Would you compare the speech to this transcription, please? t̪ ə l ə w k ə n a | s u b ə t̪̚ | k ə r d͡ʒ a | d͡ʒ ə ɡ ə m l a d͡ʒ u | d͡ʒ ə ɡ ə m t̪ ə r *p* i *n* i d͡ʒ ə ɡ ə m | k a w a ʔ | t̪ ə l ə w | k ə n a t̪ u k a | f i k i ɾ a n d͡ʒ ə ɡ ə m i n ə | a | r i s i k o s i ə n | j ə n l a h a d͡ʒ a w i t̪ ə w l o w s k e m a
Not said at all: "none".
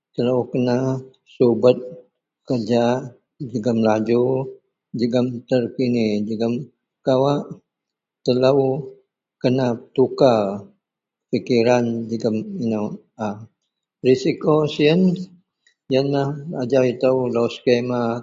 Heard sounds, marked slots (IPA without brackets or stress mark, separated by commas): k, n